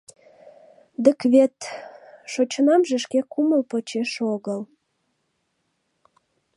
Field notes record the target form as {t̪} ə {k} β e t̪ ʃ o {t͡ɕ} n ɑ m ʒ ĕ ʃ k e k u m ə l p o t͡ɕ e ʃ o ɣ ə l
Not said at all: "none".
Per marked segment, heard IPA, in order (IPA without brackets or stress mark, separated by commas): d̪, k, t͡ɕ